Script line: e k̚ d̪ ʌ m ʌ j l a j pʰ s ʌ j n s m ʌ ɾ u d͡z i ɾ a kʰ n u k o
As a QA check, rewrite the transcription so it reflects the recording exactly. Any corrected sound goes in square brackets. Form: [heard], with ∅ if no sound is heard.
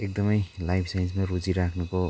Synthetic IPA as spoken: e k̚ d̪ ʌ m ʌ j l a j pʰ s [a] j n s m [a] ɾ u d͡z i ɾ a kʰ n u k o